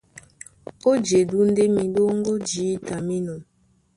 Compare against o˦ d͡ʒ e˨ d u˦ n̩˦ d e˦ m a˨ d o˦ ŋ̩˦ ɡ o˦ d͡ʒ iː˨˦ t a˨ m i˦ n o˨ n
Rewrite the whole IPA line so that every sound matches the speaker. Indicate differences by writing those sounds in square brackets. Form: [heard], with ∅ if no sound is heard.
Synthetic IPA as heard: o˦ d͡ʒ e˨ d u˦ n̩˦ d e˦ m [i˨] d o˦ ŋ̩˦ ɡ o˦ d͡ʒ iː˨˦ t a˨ m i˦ n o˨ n